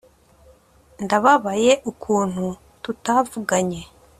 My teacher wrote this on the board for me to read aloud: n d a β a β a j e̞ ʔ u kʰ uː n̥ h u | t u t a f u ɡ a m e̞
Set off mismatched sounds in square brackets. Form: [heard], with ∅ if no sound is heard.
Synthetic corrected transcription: n d a β a β a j e̞ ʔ u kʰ uː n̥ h u | t u t a [v] u ɡ a [ɲ] e̞